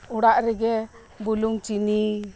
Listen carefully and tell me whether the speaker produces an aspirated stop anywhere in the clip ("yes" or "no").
no